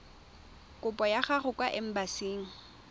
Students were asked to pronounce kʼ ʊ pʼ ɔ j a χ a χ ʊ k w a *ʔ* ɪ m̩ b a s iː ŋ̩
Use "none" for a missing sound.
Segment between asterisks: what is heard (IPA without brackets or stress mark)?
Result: ʔ